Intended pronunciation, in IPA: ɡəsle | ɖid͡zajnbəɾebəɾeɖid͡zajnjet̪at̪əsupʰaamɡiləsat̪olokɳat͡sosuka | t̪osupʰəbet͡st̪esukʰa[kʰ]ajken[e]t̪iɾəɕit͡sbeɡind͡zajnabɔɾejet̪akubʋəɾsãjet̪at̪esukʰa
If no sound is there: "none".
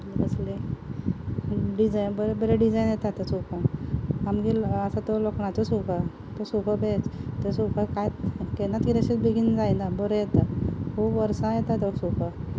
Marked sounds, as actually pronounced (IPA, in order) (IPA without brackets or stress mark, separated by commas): k, a